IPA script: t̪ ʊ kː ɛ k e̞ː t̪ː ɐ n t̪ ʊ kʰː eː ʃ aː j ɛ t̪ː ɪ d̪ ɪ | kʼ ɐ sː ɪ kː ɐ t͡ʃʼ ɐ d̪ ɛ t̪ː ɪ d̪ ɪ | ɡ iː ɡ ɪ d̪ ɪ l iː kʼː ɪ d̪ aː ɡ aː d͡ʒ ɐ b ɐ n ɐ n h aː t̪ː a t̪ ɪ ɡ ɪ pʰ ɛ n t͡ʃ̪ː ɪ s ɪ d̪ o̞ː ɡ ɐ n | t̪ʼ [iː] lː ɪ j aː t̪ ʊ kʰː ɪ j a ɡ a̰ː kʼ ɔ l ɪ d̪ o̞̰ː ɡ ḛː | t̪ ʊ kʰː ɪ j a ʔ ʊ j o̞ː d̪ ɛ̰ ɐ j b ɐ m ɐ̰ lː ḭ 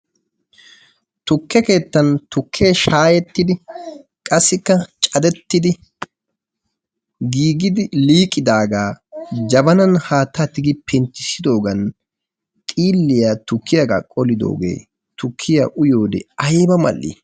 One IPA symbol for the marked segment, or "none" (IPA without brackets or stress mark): iː